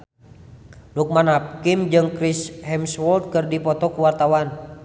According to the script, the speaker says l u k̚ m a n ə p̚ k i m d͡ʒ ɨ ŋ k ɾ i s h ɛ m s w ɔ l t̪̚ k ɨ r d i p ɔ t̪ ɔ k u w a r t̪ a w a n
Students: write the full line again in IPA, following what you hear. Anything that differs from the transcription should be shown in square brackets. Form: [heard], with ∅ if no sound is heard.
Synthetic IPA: l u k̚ m a n [a] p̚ k i m d͡ʒ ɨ ŋ k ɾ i s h ɛ m s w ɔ l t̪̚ k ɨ r d i p ɔ t̪ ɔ k u w a r t̪ a w a n